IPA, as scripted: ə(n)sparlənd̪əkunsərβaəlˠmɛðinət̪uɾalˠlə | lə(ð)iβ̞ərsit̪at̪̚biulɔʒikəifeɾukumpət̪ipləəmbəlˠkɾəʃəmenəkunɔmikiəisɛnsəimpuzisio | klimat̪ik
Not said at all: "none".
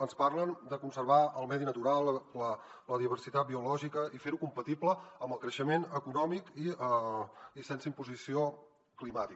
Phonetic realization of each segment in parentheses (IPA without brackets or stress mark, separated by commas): n, ð